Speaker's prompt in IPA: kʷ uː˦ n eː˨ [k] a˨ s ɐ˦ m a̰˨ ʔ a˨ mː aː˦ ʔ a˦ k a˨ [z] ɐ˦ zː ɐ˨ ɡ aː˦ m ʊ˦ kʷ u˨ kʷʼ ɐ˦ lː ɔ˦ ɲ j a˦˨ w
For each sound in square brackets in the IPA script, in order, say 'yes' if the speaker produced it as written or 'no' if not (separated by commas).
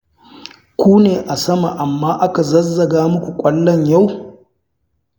no, yes